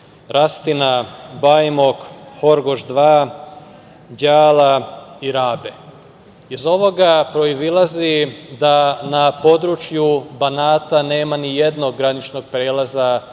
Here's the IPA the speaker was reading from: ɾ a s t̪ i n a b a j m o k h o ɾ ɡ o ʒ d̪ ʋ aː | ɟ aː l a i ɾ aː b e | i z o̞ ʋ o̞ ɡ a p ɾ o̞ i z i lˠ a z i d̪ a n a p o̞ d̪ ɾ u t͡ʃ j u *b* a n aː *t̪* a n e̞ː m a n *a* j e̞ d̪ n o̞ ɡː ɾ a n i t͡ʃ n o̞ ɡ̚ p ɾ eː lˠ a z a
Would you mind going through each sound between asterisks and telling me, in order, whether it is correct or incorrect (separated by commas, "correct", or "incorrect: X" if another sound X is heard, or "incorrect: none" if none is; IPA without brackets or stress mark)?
correct, correct, incorrect: i